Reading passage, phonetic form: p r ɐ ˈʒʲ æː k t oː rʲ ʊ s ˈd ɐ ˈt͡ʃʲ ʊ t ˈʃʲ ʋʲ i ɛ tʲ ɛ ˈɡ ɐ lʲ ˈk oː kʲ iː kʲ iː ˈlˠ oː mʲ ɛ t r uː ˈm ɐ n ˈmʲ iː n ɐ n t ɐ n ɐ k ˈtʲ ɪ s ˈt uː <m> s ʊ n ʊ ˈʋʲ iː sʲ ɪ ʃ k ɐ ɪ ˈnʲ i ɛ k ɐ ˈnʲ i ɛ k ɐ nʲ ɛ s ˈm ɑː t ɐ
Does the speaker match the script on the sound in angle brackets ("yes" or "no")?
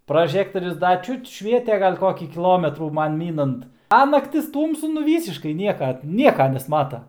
yes